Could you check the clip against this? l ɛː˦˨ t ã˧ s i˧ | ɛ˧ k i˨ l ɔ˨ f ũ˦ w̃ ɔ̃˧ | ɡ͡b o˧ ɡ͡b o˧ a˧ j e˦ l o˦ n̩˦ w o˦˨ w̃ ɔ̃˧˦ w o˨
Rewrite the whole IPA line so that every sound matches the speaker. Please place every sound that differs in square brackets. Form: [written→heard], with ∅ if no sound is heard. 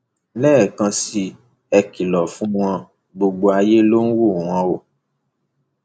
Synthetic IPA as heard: l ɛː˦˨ [t→k] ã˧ s i˧ | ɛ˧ k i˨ l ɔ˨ f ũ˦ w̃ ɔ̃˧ | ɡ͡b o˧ ɡ͡b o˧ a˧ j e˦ l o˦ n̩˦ w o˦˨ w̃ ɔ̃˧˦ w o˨